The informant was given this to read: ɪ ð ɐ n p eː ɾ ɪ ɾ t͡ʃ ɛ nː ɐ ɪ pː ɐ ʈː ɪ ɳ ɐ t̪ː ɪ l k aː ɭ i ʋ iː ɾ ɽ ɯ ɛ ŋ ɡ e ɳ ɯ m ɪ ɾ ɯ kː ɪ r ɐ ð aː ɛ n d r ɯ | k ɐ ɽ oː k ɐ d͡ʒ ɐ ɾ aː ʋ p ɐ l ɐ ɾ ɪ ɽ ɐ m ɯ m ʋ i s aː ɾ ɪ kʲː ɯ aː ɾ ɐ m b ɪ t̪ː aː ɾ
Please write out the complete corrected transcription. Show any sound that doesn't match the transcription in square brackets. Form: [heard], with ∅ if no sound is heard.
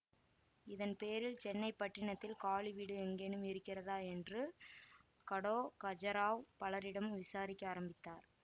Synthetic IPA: ɪ ð ɐ n p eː ɾ ɪ [l] t͡ʃ ɛ nː ɐ ɪ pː ɐ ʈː ɪ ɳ ɐ t̪ː ɪ l k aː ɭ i ʋ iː [∅] ɽ ɯ ɛ ŋ ɡ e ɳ ɯ m ɪ ɾ ɯ kː ɪ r ɐ ð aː ɛ n d r ɯ | k ɐ ɽ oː k ɐ d͡ʒ ɐ ɾ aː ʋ p ɐ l ɐ ɾ ɪ ɽ ɐ m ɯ m ʋ [ɪ] s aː ɾ ɪ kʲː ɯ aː ɾ ɐ m b ɪ t̪ː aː ɾ